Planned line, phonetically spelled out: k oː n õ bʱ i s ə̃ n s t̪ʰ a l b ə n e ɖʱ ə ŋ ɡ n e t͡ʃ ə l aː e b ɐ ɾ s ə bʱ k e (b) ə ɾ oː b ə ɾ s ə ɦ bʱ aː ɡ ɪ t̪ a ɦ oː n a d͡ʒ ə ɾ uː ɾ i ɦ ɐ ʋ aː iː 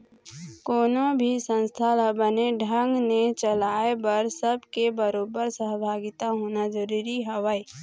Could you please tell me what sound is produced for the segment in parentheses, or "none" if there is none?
b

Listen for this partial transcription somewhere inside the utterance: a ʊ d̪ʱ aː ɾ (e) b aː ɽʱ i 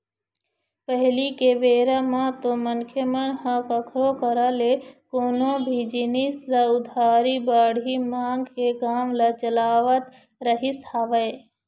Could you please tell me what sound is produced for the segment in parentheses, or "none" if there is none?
i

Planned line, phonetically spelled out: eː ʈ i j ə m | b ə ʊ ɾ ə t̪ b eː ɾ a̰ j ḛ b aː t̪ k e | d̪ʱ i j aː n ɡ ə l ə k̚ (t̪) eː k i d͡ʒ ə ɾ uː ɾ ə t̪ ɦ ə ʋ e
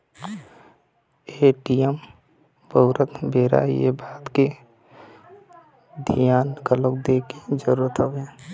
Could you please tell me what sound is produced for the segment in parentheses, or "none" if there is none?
d̪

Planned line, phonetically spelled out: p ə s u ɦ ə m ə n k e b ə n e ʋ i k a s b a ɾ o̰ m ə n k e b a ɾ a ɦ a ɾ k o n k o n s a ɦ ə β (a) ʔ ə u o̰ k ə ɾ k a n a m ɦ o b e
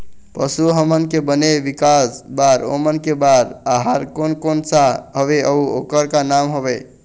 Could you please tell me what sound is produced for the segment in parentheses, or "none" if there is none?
e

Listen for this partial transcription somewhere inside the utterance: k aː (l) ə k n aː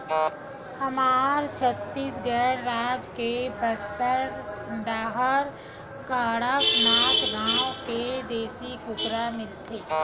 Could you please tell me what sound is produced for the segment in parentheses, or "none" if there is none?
ɽ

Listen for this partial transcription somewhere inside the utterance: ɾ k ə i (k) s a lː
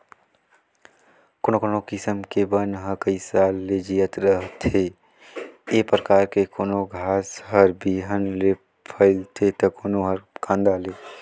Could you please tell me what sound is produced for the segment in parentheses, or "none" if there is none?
none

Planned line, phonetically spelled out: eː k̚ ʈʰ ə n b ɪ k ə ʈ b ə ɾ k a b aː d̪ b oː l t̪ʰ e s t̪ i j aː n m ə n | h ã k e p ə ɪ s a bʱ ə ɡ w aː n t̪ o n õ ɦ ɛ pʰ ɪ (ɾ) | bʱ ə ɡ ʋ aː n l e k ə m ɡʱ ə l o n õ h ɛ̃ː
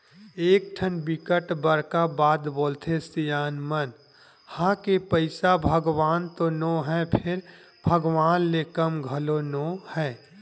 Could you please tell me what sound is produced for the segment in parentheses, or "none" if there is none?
ɾ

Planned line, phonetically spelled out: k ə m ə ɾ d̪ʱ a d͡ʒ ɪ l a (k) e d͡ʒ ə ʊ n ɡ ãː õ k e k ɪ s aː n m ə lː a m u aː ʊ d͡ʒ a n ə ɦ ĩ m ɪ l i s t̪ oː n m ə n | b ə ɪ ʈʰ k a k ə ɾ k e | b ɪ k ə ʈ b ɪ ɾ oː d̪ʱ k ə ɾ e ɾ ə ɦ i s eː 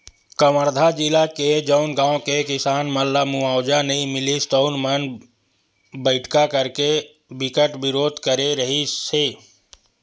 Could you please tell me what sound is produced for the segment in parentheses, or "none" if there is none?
k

